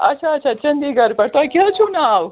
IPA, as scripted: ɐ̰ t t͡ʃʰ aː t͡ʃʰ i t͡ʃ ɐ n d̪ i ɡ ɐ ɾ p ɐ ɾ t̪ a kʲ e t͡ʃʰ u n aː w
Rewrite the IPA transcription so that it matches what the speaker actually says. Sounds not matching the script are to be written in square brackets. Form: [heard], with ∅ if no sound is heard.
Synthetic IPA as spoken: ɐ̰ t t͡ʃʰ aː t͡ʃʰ [a] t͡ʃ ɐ n d̪ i ɡ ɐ ɾ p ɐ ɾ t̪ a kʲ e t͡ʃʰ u n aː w